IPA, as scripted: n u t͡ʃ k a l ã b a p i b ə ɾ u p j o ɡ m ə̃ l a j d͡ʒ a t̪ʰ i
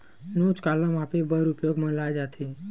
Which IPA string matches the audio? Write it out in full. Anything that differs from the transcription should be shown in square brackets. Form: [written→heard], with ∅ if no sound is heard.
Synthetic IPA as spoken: n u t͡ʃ k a l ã [b→m] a p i b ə ɾ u p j o ɡ m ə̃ l a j d͡ʒ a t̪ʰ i